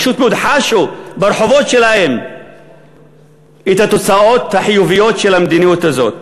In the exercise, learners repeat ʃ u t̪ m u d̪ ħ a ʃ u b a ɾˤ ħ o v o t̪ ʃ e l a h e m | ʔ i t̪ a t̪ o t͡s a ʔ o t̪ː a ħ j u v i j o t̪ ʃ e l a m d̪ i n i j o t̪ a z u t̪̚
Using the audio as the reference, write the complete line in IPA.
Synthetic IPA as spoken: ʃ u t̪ m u d̪ ħ a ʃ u b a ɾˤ ħ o v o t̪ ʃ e l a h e m | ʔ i t̪ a t̪ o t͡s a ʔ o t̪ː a ħ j u v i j o t̪ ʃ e l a m d̪ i n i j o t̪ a z o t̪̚